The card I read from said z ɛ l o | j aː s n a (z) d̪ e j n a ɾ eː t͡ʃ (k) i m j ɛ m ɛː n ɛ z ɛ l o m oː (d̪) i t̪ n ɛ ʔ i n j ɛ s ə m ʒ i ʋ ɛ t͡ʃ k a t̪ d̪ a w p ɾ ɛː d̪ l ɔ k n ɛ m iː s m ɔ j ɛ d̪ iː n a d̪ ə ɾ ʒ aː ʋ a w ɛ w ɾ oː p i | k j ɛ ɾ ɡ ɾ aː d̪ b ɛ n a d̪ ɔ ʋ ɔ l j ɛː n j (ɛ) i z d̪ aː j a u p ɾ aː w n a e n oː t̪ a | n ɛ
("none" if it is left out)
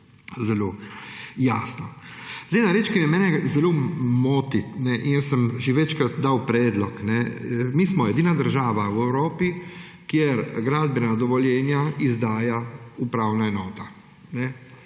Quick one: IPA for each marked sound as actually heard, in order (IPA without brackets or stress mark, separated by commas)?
z, k, t̪, a